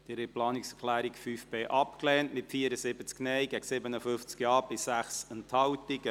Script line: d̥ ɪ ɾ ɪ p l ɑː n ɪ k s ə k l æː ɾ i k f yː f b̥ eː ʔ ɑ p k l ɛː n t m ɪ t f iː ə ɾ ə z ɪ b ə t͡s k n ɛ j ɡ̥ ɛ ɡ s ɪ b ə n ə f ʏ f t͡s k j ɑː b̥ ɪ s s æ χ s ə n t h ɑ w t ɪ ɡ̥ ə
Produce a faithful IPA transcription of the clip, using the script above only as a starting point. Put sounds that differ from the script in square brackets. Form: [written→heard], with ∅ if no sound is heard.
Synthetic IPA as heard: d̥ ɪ ɾ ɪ p l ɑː n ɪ k s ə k l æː ɾ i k f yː f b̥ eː ʔ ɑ p k l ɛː n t m ɪ t f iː ə ɾ ə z ɪ b ə t͡s k n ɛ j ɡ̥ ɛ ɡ s ɪ b ə n ə f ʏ f t͡s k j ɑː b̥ ɪ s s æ χ s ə n t h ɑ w t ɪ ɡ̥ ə